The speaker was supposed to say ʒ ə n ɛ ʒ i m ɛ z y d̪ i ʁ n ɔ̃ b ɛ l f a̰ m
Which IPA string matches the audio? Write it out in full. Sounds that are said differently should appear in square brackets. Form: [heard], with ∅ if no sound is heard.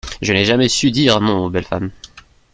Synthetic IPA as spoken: ʒ ə n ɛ ʒ [a] m ɛ [s] y d̪ i ʁ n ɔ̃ b ɛ l f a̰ m